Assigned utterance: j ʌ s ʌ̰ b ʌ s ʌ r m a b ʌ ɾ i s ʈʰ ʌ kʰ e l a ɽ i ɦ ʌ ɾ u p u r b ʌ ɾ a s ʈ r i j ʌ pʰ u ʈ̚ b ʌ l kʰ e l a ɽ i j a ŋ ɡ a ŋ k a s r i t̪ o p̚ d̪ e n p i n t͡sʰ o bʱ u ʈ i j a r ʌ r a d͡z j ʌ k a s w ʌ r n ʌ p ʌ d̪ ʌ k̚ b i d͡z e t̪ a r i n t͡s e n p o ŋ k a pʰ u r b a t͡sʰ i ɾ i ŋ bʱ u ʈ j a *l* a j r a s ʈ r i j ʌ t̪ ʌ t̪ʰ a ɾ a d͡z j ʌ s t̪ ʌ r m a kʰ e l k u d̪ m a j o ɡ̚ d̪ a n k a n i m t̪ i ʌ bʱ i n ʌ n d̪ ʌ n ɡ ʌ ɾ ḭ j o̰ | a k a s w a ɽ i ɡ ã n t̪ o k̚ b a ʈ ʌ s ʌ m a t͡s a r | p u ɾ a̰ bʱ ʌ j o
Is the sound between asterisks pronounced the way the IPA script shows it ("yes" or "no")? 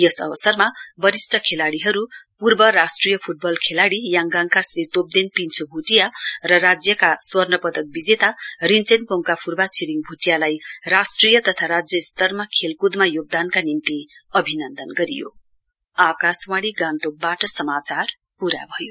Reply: yes